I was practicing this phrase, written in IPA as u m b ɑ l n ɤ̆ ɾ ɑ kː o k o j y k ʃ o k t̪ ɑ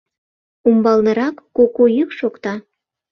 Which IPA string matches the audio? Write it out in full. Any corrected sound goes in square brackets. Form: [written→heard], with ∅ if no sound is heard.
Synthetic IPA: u m b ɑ l n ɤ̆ ɾ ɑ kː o k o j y k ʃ o k t̪ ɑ